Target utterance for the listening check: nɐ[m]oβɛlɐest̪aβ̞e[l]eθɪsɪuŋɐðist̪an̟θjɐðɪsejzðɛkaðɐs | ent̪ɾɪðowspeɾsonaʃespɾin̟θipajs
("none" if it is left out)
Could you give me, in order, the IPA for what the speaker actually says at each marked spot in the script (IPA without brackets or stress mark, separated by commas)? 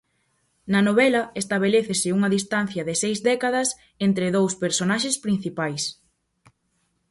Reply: n, l